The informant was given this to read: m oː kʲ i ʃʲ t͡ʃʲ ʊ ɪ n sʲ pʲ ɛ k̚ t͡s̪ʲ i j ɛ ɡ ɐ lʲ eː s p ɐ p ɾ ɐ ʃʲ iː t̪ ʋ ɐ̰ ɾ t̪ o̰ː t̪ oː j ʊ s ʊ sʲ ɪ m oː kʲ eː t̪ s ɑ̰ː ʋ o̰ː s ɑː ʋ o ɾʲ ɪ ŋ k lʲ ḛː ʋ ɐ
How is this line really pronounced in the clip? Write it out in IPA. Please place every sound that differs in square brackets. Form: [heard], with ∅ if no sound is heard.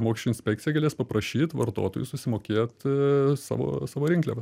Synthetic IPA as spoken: m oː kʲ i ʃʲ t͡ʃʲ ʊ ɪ n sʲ pʲ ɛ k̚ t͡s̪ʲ [ɪ] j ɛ ɡ ɐ lʲ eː s p ɐ p ɾ ɐ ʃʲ iː t̪ ʋ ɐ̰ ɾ t̪ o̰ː t̪ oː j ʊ s ʊ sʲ ɪ m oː kʲ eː t̪ s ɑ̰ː ʋ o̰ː s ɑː ʋ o ɾʲ ɪ ŋ k lʲ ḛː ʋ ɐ

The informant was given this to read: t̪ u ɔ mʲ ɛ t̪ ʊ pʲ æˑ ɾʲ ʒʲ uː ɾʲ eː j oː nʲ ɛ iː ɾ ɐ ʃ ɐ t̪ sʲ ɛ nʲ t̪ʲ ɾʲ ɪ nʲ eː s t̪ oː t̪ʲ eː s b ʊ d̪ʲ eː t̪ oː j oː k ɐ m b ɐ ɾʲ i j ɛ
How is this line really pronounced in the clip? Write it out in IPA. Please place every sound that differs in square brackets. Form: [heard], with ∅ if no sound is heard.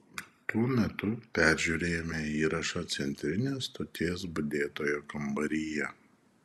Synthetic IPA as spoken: t̪ u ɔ mʲ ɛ t̪ ʊ pʲ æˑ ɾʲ ʒʲ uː ɾʲ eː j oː [mʲ] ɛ iː ɾ ɐ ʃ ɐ t̪ sʲ ɛ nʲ t̪ʲ ɾʲ ɪ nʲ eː s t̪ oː t̪ʲ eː s b ʊ d̪ʲ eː t̪ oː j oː k ɐ m b ɐ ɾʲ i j ɛ

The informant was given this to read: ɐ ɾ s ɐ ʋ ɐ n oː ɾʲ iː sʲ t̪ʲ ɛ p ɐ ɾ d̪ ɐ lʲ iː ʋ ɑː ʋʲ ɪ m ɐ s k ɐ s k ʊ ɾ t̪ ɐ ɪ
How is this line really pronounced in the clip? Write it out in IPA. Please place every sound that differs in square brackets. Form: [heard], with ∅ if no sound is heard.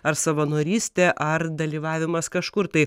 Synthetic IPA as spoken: ɐ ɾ s ɐ ʋ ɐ n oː ɾʲ iː sʲ t̪ʲ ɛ [ʔ] ɐ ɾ d̪ ɐ lʲ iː ʋ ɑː ʋʲ ɪ m ɐ s k ɐ [ʃ] k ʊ ɾ t̪ ɐ ɪ

